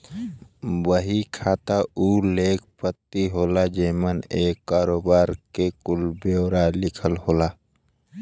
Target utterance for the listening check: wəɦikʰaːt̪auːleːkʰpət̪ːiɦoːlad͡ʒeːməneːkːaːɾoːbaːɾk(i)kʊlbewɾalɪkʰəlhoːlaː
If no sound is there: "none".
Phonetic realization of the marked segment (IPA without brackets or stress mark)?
e